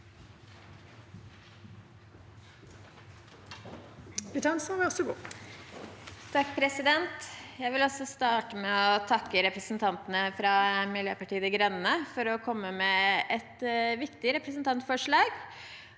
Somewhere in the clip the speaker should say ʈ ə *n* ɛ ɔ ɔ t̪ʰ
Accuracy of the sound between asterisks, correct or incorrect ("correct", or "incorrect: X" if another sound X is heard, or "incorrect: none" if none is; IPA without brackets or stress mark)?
incorrect: m